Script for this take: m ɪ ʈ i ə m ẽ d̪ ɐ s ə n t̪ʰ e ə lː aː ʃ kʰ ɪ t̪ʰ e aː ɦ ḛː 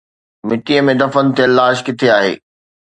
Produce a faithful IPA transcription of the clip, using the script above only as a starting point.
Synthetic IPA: m ɪ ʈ i ə m ẽ d̪ ɐ f ə n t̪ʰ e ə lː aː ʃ k ɪ t̪ʰ e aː ɦ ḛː

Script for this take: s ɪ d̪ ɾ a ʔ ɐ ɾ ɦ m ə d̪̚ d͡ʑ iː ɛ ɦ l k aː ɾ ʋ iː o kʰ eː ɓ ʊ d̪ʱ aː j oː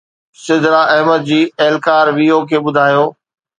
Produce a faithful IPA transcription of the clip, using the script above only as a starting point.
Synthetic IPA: s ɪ d̪ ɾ a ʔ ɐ ɦ m ə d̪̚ d͡ʑ iː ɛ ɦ l k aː ɾ ʋ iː o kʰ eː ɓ ʊ d̪ʱ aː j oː

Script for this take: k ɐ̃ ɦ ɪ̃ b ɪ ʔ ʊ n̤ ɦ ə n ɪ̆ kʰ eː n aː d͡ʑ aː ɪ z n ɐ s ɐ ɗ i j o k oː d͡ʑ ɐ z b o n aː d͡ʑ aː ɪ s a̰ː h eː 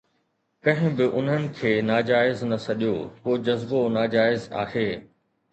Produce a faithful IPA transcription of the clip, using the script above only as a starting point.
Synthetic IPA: k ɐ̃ ɦ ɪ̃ b ɪ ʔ ʊ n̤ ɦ ə n ɪ̆ kʰ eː n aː d͡ʑ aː ɪ z n ɐ s ɐ ɗ i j o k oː d͡ʑ ɐ z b o n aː d͡ʑ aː ɪ z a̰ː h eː

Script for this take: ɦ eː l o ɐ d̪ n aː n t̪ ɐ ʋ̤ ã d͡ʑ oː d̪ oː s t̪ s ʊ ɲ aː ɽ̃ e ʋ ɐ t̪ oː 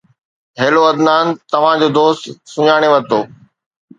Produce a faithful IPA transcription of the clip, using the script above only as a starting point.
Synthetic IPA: ɦ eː l o ɐ d̪ n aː n t̪ ɐ ʋ̤ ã d͡ʑ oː d̪ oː s t̪ s ʊ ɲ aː ɽ̃ e ʋ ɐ t̪ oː

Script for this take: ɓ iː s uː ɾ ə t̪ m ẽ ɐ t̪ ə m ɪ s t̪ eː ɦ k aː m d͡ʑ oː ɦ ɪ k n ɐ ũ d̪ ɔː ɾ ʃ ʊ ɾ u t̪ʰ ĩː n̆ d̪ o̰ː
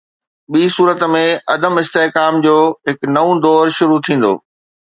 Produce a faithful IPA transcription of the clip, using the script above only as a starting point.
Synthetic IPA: ɓ iː s uː ɾ ə t̪ m ẽ ɐ d̪ ə m ɪ s t̪ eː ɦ k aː m d͡ʑ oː ɦ ɪ k n ɐ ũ d̪ ɔː ɾ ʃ ʊ ɾ u t̪ʰ ĩː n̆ d̪ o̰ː

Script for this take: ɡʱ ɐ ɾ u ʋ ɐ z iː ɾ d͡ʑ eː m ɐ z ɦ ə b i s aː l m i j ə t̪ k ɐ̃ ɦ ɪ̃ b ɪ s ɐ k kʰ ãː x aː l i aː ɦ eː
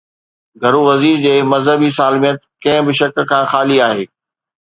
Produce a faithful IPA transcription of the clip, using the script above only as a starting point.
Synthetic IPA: ɡʱ ɐ ɾ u ʋ ɐ z iː ɾ d͡ʑ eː m ɐ z ɦ ə b i s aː l m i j ə t̪ k ɐ̃ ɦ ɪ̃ b ɪ ʃ ɐ k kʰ ãː x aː l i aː ɦ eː

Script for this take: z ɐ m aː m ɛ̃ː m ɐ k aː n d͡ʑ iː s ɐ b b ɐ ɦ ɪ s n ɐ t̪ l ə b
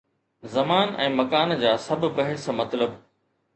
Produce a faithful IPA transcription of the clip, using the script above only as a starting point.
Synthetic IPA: z ɐ m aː n ɛ̃ː m ɐ k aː n d͡ʑ aː s ɐ b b ɐ ɦ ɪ s m ɐ t̪ l ə b

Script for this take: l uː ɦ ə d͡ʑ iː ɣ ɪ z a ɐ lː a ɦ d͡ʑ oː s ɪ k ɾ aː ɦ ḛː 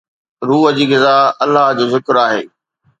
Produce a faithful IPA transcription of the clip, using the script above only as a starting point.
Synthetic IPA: ɾ uː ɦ ə d͡ʑ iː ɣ ɪ z a ɐ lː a ɦ d͡ʑ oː z ɪ k ɾ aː ɦ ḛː

